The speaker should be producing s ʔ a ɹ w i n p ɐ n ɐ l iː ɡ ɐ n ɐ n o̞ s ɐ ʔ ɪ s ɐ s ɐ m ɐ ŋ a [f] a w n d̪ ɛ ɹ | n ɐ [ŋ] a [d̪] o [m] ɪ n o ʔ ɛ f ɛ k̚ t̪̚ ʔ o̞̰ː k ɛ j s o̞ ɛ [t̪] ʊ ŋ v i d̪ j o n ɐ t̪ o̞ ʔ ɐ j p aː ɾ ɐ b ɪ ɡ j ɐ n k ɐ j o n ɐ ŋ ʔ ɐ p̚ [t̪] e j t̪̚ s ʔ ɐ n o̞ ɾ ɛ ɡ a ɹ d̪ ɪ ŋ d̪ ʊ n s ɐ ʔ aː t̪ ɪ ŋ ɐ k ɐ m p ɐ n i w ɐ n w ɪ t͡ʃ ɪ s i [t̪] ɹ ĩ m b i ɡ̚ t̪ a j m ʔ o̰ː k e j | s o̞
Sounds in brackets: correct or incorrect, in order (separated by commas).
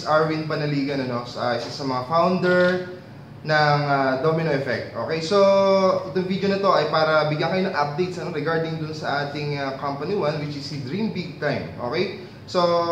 correct, correct, correct, correct, correct, incorrect, incorrect